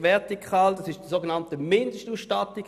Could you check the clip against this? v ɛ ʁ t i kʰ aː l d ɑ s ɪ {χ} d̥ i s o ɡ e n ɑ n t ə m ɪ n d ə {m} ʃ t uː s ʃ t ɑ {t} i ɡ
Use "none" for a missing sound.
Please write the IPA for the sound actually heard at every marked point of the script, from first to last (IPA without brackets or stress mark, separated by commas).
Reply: ʃ, none, t